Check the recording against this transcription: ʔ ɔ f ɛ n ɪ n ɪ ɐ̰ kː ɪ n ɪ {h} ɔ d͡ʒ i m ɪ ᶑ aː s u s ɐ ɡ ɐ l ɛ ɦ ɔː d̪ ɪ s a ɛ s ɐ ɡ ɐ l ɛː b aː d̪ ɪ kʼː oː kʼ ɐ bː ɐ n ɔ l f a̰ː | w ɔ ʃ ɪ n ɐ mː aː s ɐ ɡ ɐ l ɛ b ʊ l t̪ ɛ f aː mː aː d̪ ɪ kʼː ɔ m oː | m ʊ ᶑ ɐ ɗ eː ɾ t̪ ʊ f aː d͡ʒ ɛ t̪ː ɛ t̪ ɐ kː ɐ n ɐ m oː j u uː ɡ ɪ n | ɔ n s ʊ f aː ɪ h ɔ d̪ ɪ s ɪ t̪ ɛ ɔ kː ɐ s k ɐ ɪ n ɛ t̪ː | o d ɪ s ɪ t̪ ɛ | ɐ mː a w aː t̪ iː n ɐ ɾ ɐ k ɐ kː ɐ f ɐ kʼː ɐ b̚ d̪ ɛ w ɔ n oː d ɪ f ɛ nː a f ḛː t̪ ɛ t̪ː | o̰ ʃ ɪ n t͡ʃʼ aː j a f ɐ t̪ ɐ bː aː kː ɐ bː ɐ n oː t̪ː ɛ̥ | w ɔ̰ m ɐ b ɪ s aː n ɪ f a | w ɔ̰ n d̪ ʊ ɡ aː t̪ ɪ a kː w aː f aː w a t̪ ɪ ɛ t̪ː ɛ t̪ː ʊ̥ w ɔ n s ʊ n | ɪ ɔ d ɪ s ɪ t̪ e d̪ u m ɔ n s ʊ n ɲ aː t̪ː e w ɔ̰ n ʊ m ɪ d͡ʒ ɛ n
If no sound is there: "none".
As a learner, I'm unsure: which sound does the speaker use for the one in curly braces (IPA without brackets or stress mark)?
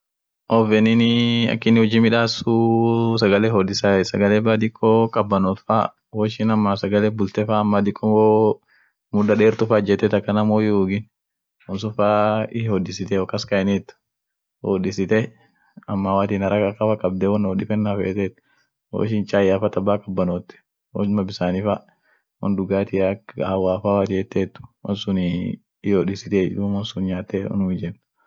h